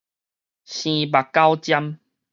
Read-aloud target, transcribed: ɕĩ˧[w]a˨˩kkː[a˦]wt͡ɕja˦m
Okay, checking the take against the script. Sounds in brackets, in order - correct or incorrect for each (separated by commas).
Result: incorrect, correct